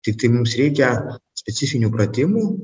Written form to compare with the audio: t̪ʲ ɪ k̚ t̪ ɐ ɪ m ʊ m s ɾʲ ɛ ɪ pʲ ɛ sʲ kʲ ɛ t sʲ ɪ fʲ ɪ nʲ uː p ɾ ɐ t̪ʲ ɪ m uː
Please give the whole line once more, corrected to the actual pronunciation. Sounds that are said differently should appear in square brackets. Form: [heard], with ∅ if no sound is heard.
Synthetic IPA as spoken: t̪ʲ ɪ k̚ t̪ ɐ ɪ m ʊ m s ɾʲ ɛ ɪ [kʲ] ɛ sʲ [pʲ] ɛ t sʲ ɪ fʲ ɪ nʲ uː p ɾ ɐ t̪ʲ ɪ m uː